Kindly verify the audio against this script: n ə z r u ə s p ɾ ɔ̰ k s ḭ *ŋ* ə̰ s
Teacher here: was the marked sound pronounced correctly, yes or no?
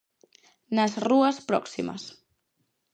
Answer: no